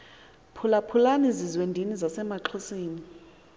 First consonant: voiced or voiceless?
voiceless